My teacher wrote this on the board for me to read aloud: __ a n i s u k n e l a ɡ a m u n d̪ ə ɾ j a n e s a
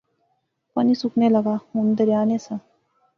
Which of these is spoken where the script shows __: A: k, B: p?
B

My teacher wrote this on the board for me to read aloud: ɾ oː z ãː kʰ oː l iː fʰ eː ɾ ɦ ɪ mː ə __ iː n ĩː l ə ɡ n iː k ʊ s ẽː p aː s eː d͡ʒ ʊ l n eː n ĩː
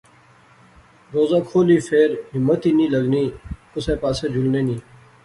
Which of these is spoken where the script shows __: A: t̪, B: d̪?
A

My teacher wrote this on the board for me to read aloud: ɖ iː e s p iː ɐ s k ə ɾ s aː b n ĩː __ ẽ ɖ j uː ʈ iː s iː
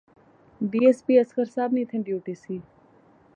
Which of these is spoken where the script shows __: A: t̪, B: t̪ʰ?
B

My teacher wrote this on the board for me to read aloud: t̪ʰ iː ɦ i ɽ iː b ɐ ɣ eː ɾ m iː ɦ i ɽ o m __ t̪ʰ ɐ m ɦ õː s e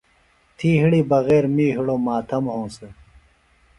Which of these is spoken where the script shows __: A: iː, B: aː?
B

